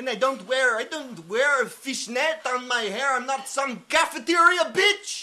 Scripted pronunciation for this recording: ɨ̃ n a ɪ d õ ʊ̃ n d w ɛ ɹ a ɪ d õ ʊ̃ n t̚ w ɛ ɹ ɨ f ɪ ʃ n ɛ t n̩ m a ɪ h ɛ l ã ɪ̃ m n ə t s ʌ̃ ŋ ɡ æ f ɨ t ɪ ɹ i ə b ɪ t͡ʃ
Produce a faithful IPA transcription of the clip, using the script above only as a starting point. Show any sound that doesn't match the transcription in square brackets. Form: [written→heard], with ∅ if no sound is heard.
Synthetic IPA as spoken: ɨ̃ n a ɪ d õ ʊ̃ n [d→t] w ɛ ɹ a ɪ d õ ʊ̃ n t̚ w ɛ ɹ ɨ f ɪ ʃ n ɛ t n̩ m a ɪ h ɛ [l→ɹ] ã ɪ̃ m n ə t s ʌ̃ [ŋ→m] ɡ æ f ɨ t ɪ ɹ i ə b ɪ t͡ʃ